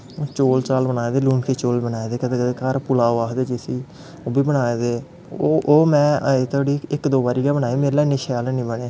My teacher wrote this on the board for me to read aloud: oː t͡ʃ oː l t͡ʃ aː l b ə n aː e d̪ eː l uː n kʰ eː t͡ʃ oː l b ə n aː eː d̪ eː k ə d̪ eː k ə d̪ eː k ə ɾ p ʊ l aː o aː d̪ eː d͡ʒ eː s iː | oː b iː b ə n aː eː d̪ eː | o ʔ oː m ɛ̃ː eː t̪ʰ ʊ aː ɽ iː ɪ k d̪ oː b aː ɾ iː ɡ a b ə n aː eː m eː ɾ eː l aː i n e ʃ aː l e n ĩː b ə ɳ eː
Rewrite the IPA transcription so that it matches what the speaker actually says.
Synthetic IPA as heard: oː t͡ʃ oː l t͡ʃ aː l b ə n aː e d̪ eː l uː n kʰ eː t͡ʃ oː l b ə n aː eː d̪ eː k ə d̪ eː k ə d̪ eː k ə ɾ p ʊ l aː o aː d̪ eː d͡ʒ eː s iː | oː b iː b ə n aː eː d̪ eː | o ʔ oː m ɛ̃ː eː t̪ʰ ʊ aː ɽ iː ɪ k d̪ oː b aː ɾ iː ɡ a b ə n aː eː m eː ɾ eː l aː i n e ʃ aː l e n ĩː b ə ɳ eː